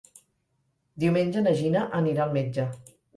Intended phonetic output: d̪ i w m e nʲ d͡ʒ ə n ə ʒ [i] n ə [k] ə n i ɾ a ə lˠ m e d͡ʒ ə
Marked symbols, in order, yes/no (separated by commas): yes, no